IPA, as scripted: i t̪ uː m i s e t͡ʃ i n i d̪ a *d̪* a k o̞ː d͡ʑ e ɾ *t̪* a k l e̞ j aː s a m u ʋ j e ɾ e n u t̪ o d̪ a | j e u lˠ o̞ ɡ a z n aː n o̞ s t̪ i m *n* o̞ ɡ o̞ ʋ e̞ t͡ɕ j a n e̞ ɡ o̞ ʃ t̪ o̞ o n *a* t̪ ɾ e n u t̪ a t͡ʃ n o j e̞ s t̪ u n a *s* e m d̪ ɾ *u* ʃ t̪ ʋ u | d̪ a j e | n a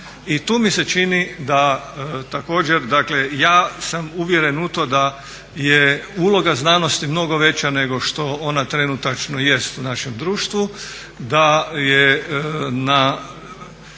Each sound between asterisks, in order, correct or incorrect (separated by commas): incorrect, incorrect, correct, correct, incorrect, incorrect